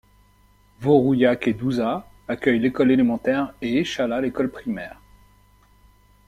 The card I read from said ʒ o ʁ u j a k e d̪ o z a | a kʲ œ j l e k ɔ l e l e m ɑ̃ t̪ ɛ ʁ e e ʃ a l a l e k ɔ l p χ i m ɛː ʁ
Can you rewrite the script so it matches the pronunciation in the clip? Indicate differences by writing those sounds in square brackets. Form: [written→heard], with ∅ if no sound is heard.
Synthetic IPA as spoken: [ʒ→v] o ʁ u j a k e d̪ [o→u] z a | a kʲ œ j l e k ɔ l e l e m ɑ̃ t̪ ɛ ʁ e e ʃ a l a l e k ɔ l p χ i m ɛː ʁ